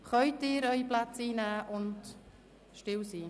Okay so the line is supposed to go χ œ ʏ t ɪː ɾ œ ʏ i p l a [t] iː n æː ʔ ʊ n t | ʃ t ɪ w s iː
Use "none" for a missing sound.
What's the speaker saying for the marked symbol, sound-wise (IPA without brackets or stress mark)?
t͡s